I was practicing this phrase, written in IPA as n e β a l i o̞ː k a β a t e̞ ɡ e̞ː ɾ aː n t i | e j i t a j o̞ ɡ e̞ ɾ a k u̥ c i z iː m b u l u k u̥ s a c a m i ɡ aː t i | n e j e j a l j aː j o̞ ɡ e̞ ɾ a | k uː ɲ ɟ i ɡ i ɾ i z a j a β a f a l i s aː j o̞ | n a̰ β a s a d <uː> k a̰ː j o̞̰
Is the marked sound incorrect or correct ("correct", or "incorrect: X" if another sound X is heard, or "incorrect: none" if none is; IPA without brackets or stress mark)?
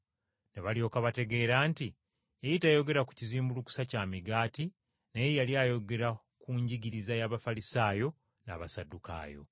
incorrect: u